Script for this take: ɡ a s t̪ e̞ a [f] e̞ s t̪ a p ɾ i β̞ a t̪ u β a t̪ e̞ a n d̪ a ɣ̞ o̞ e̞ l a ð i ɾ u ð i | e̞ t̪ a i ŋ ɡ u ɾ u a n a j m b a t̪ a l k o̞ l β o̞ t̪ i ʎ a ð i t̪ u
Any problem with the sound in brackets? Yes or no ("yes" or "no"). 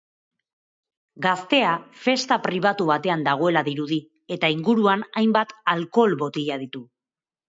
no